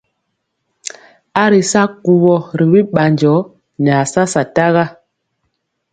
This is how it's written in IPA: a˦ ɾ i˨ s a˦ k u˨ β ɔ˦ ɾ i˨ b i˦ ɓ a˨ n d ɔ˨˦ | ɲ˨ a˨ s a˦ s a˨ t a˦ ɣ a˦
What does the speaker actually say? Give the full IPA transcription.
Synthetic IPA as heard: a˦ ɾ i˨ s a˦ k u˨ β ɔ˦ ɾ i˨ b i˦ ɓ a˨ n d͡ʒ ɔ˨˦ | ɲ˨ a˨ s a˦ s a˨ t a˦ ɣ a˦